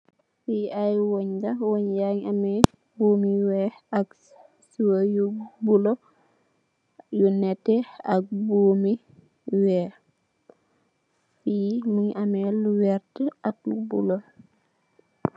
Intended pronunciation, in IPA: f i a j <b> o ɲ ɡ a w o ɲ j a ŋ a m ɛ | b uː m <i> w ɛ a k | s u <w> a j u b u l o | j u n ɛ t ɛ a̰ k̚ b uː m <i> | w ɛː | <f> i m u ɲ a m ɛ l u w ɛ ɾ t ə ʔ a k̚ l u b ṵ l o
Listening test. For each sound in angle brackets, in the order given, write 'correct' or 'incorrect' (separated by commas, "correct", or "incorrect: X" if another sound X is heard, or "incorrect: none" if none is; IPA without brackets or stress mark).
incorrect: w, correct, correct, correct, correct